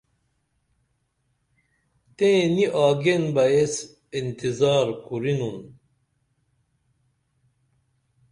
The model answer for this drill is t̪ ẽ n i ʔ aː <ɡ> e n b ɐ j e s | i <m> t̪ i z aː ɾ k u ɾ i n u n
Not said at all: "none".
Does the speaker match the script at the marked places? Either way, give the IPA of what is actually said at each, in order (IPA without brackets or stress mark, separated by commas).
ɡ, n